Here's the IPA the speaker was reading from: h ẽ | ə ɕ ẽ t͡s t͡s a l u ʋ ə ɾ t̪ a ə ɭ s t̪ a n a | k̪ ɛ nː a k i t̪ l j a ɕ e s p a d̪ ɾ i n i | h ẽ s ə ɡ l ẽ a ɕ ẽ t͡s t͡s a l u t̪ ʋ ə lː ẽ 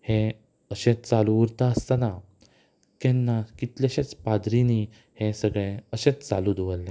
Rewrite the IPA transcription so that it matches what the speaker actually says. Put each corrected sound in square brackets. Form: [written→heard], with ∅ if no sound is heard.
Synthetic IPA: h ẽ | ə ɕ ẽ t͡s t͡s a l u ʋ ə ɾ t̪ a ə [ɭ→∅] s t̪ a n a | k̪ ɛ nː a k i t̪ l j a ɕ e [s→t͡s] p a d̪ ɾ i n i | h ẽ s ə ɡ [l→ɭ] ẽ [a→ə] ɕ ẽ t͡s t͡s a l u [t̪→d̪] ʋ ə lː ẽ